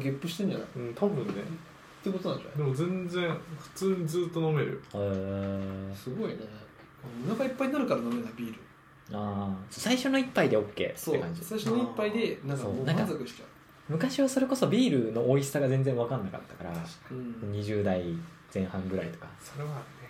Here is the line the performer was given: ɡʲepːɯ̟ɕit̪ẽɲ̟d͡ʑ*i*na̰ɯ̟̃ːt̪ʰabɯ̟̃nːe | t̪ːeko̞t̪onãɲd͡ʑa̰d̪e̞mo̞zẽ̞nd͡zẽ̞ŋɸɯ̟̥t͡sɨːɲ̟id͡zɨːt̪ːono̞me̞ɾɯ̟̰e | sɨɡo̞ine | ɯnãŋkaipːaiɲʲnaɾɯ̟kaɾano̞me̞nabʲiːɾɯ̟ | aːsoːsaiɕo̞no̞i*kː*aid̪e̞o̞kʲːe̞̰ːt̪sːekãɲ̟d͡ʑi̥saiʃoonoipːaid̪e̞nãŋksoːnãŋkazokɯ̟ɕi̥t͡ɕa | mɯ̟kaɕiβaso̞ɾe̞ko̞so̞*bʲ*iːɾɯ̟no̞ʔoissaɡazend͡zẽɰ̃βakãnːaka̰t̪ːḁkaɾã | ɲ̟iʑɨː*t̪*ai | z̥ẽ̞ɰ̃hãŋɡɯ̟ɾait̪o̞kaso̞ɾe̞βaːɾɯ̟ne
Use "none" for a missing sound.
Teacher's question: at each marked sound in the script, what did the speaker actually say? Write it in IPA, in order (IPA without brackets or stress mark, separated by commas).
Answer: a, pː, bʲ, d̪